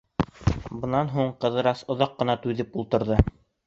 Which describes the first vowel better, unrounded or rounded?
unrounded